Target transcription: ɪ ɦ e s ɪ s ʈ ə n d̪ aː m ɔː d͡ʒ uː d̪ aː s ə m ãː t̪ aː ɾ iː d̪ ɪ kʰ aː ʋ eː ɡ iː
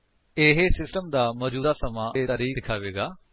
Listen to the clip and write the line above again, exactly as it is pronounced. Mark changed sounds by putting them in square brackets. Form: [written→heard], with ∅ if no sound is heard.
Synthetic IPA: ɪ ɦ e s ɪ s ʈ ə [n→m] d̪ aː m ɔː d͡ʒ uː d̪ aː s ə m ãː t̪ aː ɾ iː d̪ ɪ kʰ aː ʋ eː ɡ [iː→aː]